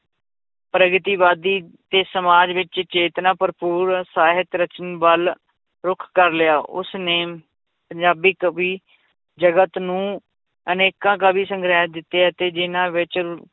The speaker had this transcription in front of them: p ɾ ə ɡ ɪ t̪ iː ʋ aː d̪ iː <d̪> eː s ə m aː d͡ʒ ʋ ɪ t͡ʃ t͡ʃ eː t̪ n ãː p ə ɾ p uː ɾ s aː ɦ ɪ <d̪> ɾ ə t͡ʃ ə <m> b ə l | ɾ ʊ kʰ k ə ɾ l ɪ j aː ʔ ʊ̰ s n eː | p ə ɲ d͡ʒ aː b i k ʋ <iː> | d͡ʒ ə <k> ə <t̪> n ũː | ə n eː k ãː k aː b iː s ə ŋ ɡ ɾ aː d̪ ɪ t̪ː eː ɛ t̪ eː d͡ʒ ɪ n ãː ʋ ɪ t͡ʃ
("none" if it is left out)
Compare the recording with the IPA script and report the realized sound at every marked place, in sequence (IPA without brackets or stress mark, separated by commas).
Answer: t̪, t̪, n, iː, ɡ, t̪